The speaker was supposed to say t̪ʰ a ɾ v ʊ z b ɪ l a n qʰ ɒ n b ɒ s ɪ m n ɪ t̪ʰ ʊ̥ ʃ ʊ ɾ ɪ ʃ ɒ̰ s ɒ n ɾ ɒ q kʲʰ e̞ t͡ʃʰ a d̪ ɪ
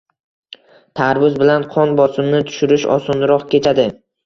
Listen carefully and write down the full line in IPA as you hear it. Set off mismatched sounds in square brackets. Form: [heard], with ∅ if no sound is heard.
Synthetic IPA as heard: t̪ʰ a ɾ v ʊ z b ɪ l a n qʰ ɒ n b ɒ s ɪ m n ɪ t̪ʰ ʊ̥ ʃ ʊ ɾ ɪ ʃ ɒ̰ s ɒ n ɾ ɒ q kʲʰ e̞ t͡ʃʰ a d̪ ɪ